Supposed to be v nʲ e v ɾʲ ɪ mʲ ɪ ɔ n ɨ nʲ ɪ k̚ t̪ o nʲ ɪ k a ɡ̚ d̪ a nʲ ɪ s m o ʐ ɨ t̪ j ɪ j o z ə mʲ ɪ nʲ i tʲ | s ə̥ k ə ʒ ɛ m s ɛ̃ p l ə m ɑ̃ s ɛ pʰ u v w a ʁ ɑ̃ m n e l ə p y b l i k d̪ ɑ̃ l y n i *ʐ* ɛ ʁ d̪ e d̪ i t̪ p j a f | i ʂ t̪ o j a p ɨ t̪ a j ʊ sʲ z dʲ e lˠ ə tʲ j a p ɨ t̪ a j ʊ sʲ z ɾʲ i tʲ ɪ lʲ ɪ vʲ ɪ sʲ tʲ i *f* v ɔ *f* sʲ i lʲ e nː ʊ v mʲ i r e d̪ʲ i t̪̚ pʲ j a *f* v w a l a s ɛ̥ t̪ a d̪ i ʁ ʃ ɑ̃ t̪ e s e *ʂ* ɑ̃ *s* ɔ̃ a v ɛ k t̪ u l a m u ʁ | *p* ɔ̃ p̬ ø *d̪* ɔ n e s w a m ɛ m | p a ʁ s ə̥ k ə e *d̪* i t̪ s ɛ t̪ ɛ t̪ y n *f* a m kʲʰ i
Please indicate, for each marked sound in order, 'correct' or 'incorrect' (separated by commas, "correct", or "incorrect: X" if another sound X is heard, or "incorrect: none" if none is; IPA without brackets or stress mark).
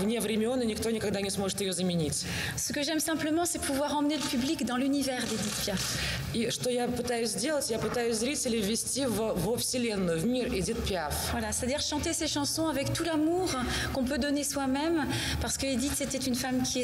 incorrect: v, incorrect: v, correct, correct, incorrect: ʃ, correct, incorrect: k, correct, correct, correct